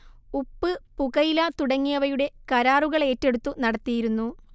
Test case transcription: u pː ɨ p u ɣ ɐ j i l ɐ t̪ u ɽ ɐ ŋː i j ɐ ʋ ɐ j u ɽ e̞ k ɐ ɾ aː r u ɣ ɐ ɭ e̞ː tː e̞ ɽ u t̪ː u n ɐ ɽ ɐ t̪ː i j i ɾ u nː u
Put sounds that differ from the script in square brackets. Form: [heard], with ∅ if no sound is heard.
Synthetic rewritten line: u pː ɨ p u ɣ ɐ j i l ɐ t̪ u ɽ ɐ ŋː i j ɐ ʋ ɐ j u ɽ e̞ k ɐ ɾ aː r u ɣ ɐ ɭ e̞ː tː e̞ ɽ u t̪ː u n ɐ ɽ ɐ t̪ː i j i ɾ u nː u

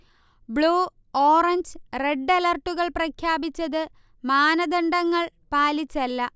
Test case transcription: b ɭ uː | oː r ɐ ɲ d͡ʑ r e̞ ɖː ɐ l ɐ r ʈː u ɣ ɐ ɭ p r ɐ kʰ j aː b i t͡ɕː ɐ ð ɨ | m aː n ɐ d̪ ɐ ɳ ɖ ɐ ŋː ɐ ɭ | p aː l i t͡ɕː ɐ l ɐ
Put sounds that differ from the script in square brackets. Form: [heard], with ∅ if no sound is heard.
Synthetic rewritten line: b ɭ uː | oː r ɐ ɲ d͡ʑ r e̞ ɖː ɐ l ɐ r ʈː u ɣ ɐ ɭ p r ɐ kʰ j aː b i t͡ɕː ɐ ð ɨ | m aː n ɐ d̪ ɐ ɳ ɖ ɐ ŋː ɐ ɭ | p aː l i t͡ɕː ɐ [lː] ɐ

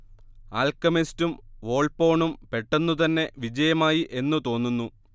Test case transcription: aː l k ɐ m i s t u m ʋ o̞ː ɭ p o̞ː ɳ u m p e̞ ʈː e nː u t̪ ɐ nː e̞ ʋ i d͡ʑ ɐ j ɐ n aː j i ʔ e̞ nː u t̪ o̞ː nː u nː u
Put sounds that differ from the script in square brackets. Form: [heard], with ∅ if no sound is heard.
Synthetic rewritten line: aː l k ɐ m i s t u m ʋ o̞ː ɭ p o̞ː ɳ u m p e̞ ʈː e nː u t̪ ɐ nː e̞ ʋ i d͡ʑ ɐ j ɐ [m] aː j i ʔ e̞ nː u t̪ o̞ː nː u nː u

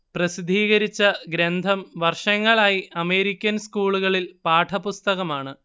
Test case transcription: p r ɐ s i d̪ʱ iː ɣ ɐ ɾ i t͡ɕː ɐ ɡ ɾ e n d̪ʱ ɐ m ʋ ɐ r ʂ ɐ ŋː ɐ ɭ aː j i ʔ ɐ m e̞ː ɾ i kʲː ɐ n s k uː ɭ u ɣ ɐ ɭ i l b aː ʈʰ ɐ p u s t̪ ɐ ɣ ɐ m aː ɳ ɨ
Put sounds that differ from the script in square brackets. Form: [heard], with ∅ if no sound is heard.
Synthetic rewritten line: p r ɐ s i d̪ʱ iː ɣ ɐ ɾ i t͡ɕː ɐ ɡ ɾ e n d̪ʱ ɐ m ʋ ɐ r ʂ ɐ ŋː ɐ ɭ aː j i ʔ ɐ m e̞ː ɾ i kʲː ɐ n s k uː ɭ u ɣ ɐ ɭ i l [p] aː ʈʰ ɐ p u s t̪ ɐ ɣ ɐ m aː ɳ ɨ

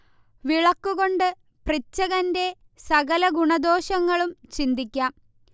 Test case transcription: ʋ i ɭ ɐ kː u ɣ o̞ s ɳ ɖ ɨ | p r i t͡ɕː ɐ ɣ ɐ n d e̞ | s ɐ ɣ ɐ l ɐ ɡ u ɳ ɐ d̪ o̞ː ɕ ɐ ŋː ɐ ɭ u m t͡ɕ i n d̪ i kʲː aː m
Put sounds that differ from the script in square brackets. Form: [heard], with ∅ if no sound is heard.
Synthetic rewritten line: ʋ i ɭ ɐ kː u ɣ o̞ [∅] ɳ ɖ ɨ | p r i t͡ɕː ɐ ɣ ɐ n d e̞ | s ɐ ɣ ɐ l ɐ ɡ u ɳ ɐ d̪ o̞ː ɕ ɐ ŋː ɐ ɭ u m t͡ɕ i n d̪ i kʲː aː m

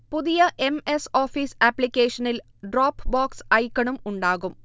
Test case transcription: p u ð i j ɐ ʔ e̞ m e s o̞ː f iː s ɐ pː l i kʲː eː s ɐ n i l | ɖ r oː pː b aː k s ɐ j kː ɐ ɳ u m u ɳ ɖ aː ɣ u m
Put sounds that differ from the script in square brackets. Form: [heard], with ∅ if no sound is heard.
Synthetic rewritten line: p u ð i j ɐ ʔ e̞ m e s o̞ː f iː s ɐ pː l i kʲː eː [ʂ] ɐ n i l | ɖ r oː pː b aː k s ɐ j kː ɐ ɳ u m u ɳ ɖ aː ɣ u m

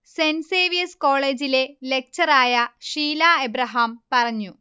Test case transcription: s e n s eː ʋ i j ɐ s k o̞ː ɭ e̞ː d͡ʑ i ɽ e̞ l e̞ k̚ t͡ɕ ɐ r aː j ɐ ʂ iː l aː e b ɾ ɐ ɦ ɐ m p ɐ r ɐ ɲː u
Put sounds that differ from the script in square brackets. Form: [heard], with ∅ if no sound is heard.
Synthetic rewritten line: s e n s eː ʋ i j ɐ s k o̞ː ɭ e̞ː d͡ʑ i [l] e̞ l e̞ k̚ t͡ɕ ɐ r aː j ɐ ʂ iː l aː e b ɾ ɐ ɦ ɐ m p ɐ r ɐ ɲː u

